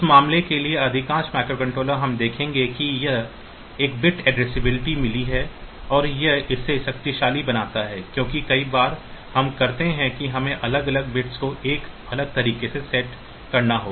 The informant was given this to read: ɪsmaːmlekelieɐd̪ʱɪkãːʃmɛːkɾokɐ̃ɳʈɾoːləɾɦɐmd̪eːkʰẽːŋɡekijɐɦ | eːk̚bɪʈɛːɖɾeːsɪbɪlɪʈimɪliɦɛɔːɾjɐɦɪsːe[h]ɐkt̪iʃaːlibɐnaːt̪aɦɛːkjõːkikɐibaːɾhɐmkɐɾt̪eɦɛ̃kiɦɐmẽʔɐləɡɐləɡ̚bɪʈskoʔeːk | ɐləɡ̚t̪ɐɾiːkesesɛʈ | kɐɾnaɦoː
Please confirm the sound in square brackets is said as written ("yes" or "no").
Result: no